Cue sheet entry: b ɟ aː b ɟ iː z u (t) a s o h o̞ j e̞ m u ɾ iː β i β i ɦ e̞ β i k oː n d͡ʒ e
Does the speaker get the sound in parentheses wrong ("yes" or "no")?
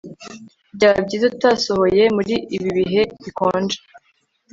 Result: no